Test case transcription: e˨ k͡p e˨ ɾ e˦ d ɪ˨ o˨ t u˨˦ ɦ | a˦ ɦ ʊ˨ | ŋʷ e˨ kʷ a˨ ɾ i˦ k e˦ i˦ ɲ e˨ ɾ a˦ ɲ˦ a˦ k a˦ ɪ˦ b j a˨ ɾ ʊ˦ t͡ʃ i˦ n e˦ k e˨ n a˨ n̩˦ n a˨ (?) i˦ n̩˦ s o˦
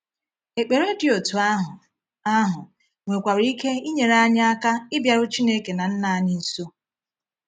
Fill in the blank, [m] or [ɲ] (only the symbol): ɲ